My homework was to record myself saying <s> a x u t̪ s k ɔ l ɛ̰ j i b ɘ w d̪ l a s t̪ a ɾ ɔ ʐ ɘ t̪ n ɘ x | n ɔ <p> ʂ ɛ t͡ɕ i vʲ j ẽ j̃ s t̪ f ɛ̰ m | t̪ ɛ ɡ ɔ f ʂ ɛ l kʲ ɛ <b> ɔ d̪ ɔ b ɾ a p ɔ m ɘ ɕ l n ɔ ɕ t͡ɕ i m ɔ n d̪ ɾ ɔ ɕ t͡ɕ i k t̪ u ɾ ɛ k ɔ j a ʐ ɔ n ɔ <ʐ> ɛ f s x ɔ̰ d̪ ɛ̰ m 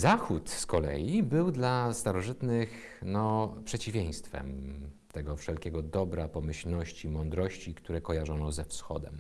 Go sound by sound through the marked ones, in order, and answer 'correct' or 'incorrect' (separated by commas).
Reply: incorrect, correct, incorrect, incorrect